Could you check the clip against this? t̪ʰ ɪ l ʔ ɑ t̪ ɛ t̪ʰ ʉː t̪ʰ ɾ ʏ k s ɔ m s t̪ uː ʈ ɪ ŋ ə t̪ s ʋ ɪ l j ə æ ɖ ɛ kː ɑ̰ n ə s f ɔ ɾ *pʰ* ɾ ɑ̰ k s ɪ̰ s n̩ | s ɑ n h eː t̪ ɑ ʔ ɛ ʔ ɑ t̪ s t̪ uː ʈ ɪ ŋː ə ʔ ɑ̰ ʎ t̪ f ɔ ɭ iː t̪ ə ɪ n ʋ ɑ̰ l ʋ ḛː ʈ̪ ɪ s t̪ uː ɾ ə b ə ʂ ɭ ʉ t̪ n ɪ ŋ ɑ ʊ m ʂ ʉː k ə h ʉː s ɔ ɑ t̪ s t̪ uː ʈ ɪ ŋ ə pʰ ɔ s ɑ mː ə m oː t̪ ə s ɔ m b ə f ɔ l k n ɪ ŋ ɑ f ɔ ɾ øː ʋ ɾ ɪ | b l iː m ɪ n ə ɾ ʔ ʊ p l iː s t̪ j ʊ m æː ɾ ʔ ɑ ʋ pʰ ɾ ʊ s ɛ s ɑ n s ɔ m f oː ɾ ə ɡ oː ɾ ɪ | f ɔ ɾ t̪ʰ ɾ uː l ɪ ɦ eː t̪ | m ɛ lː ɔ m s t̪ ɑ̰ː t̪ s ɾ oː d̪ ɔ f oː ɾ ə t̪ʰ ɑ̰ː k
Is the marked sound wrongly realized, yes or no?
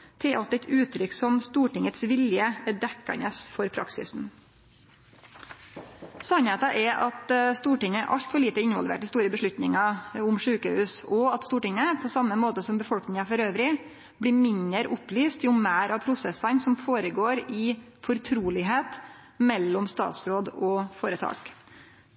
no